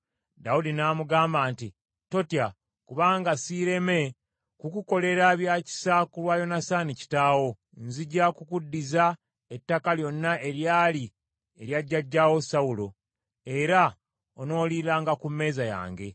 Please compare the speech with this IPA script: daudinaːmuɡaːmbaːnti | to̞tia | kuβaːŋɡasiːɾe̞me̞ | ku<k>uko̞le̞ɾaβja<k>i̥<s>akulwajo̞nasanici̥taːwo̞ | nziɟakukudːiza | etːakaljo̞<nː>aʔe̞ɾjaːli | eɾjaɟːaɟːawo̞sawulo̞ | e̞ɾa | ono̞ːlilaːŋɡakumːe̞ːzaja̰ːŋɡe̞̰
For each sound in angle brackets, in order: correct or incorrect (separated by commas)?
correct, incorrect, correct, correct